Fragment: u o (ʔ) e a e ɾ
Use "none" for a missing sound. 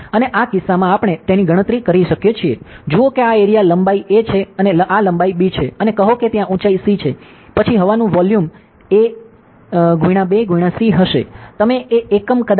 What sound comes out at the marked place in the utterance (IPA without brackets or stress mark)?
k